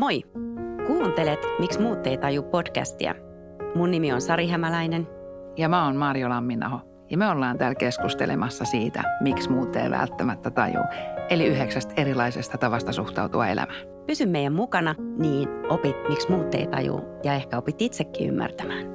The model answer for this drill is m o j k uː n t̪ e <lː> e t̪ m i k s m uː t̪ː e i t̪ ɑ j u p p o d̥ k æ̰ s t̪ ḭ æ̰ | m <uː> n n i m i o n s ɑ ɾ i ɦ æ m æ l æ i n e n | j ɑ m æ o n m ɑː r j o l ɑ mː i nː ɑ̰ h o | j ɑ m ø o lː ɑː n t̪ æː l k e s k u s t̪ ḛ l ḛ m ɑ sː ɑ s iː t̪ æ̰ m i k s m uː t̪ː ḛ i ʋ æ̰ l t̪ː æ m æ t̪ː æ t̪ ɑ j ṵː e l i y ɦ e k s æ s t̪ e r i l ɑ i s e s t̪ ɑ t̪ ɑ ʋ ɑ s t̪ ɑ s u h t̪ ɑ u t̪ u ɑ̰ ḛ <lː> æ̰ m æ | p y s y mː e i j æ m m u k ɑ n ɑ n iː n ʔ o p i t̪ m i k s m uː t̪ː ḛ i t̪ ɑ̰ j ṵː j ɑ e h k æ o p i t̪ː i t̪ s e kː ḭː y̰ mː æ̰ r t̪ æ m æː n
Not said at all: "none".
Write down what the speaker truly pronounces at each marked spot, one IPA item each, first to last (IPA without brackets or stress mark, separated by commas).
l, u, l